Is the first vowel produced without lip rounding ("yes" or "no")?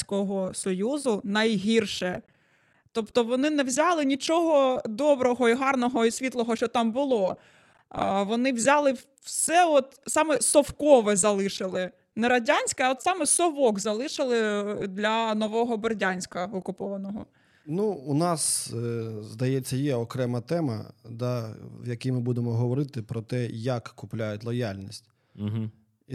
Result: no